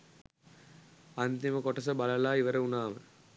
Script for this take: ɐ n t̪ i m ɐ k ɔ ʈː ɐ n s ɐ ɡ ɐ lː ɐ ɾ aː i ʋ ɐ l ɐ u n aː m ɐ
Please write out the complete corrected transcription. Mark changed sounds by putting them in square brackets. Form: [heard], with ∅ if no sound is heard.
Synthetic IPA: ɐ n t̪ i m ɐ k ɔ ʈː ɐ [∅] s ɐ [b] ɐ [l] ɐ [l] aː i ʋ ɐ [ɾ] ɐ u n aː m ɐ